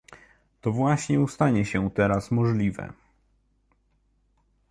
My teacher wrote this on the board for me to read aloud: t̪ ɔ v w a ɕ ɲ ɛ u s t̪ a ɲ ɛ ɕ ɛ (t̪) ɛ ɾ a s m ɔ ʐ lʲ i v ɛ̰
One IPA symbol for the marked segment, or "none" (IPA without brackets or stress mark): t̪